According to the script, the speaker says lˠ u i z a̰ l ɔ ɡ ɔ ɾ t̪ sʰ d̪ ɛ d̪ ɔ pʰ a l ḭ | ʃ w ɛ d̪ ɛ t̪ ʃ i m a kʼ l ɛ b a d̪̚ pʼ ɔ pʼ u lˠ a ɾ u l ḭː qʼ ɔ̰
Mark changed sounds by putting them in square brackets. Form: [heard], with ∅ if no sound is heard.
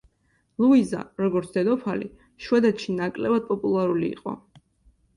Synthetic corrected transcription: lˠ u i z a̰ [ɾ] ɔ ɡ ɔ ɾ t̪ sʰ d̪ ɛ d̪ ɔ pʰ a l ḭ | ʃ w ɛ d̪ ɛ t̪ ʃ i [n] a kʼ l ɛ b a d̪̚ pʼ ɔ pʼ u lˠ a ɾ u l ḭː qʼ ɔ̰